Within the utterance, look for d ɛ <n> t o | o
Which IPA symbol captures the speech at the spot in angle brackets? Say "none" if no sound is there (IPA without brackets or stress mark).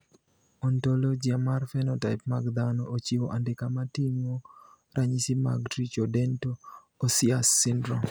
n